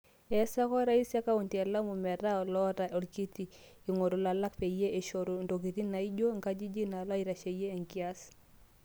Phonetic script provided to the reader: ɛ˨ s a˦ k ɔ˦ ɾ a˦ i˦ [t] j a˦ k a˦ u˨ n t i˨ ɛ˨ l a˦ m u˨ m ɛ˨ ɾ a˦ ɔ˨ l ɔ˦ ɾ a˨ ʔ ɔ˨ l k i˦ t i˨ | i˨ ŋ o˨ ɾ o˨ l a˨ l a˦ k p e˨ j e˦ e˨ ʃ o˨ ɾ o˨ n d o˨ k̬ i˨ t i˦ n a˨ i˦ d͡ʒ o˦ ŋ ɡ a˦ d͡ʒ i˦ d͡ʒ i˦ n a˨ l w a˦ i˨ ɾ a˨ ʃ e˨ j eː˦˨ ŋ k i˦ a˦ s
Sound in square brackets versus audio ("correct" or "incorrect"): incorrect